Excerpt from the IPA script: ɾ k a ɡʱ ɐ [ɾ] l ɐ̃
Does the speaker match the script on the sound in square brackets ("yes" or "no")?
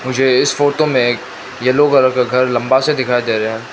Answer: yes